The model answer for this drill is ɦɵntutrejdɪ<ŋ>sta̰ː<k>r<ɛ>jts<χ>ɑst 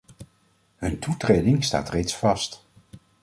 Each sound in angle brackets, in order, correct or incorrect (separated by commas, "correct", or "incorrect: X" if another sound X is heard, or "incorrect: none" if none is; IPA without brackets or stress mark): correct, incorrect: t, incorrect: e, incorrect: f